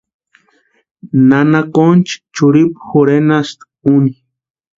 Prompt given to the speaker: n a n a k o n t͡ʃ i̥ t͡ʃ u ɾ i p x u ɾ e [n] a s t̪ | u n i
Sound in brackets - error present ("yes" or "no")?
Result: no